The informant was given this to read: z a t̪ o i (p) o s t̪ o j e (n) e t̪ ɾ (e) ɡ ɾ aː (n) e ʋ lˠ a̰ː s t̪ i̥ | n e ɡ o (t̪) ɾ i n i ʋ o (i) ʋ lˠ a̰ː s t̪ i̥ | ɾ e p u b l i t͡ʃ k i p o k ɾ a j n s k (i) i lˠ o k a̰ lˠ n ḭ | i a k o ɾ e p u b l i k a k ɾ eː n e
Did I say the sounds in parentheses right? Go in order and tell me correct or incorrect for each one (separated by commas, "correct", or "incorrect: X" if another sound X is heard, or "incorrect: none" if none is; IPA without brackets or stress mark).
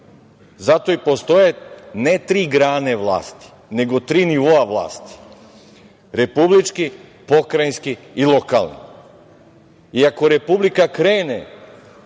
correct, correct, incorrect: i, correct, correct, incorrect: a, correct